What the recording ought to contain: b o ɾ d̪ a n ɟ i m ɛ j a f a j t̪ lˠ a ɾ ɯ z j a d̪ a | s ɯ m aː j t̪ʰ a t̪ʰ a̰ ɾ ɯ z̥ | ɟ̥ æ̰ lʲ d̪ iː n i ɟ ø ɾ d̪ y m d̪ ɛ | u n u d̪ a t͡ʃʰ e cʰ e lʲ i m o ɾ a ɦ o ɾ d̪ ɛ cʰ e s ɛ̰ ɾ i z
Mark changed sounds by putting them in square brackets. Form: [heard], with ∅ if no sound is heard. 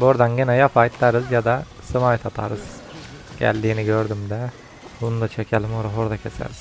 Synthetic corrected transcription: b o ɾ d̪ a n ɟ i [n] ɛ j a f a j t̪ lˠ a ɾ ɯ z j a d̪ a | s ɯ m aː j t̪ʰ a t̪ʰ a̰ ɾ ɯ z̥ | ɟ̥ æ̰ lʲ d̪ iː n i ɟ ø ɾ d̪ y m d̪ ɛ | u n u d̪ a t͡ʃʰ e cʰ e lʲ i m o ɾ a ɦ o ɾ d̪ [a] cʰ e s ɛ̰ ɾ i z